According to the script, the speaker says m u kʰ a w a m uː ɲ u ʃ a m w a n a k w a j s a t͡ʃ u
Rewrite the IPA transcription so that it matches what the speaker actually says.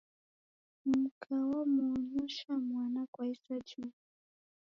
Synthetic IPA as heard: m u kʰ a w a m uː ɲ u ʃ a m w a n a k w a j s a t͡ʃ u